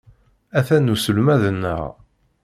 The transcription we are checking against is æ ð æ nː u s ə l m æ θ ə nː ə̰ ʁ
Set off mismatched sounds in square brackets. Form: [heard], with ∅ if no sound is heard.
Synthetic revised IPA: æ [θ] æ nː u s ə l m æ [ð] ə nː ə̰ ʁ